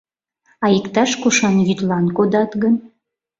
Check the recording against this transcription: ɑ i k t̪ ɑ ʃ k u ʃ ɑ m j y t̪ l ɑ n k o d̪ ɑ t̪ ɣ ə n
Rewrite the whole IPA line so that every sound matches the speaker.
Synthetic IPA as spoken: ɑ i k t̪ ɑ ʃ k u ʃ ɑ n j y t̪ l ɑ n k o d̪ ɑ t̪ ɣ ə n